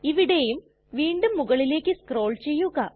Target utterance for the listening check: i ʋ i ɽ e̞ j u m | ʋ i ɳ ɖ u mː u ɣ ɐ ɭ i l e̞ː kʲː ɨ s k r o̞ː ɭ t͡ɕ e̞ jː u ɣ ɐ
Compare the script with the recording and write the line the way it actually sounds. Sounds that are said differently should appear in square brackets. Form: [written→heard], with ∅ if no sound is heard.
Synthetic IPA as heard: i ʋ i ɽ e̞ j u m | ʋ [i→iː] ɳ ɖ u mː u ɣ ɐ ɭ i l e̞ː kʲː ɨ s k r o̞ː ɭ t͡ɕ e̞ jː u ɣ ɐ